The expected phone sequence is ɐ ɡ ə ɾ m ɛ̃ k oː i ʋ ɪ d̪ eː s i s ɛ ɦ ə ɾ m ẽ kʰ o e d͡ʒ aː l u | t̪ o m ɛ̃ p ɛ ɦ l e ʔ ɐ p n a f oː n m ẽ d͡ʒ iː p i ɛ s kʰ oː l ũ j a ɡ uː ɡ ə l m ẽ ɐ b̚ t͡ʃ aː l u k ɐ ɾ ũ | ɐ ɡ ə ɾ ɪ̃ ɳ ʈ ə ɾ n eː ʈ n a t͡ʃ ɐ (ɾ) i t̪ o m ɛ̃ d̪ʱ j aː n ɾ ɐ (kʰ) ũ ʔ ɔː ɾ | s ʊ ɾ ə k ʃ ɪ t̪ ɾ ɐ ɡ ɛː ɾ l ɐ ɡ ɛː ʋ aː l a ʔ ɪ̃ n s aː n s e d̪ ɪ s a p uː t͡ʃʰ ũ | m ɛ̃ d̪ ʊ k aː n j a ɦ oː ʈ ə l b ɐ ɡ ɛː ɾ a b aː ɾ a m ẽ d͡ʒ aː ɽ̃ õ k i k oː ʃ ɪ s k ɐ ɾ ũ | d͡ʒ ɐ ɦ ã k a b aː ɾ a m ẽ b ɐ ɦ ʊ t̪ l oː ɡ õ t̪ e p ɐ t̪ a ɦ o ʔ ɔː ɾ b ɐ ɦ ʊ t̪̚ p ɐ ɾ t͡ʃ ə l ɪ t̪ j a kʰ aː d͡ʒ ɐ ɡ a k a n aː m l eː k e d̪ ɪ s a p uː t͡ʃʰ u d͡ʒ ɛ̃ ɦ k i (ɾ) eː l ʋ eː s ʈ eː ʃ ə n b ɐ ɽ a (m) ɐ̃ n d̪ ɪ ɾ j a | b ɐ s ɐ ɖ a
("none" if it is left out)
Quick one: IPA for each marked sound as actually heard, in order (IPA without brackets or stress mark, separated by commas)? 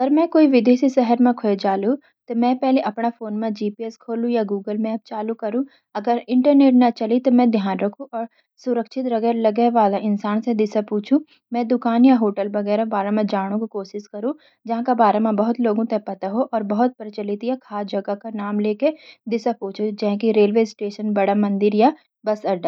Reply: l, kʰ, ɾ, m